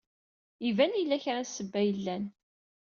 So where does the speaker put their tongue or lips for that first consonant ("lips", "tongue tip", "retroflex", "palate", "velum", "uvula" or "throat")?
lips